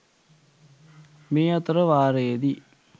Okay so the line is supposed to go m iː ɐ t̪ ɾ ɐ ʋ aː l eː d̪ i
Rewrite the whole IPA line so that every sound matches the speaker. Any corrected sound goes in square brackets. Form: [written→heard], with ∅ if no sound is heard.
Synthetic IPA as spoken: m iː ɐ t̪ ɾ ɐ ʋ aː [l→ɾ] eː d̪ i